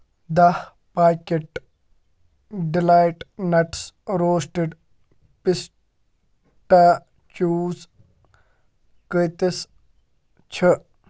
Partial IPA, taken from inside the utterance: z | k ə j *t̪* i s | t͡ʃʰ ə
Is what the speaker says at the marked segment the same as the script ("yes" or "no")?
yes